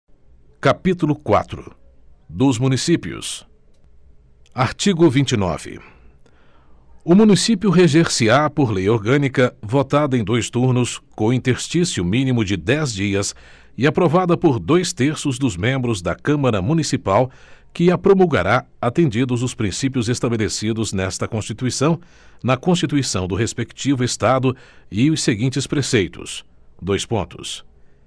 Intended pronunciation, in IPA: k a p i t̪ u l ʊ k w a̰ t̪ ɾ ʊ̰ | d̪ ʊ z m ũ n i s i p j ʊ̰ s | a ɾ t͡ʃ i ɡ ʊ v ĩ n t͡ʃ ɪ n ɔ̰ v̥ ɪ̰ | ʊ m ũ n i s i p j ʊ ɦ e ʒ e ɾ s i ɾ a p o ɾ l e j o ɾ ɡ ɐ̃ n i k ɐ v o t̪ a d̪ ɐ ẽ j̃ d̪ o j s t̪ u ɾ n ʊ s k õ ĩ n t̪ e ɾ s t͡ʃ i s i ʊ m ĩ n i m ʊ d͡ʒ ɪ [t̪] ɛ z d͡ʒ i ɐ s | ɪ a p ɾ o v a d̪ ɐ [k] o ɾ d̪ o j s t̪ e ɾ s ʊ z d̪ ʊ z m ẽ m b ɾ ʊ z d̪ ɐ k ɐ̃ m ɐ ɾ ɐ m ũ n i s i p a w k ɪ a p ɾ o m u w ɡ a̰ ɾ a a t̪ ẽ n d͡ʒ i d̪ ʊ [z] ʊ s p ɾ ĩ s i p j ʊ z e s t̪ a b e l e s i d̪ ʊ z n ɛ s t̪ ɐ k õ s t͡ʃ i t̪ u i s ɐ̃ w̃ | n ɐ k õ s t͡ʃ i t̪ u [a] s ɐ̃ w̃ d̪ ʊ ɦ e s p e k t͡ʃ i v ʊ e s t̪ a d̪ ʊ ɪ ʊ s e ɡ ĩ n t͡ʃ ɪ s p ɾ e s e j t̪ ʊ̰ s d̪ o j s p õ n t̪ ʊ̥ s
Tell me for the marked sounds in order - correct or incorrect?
incorrect, incorrect, correct, incorrect

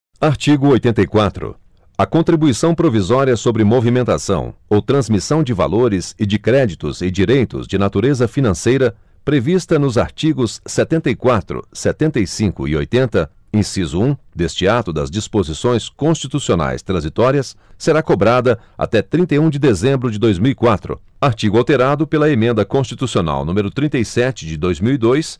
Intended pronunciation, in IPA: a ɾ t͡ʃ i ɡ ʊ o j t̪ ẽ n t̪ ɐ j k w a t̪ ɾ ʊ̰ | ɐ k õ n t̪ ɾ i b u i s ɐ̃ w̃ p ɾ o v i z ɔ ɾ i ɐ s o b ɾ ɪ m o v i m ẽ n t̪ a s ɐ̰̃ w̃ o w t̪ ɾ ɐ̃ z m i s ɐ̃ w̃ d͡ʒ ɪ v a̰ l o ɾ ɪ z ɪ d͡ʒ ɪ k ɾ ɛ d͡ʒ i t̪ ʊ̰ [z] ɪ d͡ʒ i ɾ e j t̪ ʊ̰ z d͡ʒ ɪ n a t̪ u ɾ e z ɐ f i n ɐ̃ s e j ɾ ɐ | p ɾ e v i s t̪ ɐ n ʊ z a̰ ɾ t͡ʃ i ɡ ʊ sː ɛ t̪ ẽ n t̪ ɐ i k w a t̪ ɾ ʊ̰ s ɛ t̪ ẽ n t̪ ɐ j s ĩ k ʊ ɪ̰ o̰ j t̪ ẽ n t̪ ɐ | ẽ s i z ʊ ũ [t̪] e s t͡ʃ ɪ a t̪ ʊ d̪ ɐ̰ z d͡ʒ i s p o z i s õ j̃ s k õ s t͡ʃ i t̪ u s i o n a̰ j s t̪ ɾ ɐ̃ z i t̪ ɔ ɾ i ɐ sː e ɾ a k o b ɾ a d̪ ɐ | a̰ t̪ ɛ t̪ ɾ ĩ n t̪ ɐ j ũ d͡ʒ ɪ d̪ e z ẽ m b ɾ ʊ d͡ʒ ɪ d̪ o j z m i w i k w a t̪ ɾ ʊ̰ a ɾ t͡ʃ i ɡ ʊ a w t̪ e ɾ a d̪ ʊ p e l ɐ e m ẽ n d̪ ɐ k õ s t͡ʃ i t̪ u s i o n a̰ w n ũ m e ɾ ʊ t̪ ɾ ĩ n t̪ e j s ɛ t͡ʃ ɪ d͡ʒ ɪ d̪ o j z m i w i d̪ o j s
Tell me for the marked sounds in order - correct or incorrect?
correct, incorrect

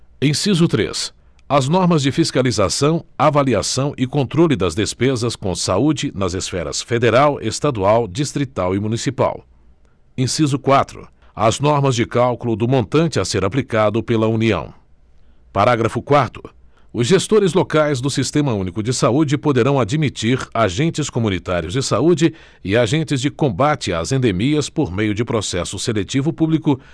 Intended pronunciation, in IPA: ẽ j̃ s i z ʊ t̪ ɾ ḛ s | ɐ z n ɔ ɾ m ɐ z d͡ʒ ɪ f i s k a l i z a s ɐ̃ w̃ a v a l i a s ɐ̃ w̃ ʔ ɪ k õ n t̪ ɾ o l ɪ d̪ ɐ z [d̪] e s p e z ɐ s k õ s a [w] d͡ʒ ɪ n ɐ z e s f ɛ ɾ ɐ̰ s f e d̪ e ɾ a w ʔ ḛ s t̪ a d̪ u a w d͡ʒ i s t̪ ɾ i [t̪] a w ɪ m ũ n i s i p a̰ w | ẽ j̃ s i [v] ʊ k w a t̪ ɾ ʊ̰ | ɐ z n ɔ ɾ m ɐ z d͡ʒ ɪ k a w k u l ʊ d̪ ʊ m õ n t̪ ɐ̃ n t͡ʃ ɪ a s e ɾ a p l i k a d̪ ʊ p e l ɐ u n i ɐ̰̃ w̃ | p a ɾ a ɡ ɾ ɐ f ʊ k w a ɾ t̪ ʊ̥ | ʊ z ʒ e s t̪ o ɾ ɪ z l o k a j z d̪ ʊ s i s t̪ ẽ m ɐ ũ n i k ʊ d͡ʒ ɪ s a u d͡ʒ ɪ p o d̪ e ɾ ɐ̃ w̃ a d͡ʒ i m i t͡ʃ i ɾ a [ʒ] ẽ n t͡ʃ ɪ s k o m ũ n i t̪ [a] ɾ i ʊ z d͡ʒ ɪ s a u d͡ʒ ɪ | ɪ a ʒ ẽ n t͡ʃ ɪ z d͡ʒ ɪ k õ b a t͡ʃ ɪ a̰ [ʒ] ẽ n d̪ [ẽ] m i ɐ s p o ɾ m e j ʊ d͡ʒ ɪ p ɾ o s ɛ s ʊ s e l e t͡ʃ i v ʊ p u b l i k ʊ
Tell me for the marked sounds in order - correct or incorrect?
correct, incorrect, correct, incorrect, correct, correct, incorrect, incorrect

